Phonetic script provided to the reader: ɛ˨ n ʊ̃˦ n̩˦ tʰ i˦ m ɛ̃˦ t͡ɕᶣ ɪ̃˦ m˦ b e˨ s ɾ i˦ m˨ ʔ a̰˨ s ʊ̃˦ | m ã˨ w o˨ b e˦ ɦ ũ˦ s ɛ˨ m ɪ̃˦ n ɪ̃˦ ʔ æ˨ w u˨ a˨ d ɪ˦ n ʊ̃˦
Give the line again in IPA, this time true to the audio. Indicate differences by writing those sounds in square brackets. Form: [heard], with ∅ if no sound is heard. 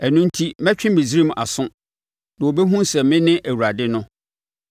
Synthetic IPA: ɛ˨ n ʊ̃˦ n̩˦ tʰ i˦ m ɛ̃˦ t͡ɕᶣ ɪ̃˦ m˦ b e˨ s ɾ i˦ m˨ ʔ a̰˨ s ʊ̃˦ | [n] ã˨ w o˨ b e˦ ɦ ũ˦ s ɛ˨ m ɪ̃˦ n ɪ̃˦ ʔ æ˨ w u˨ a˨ d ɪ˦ n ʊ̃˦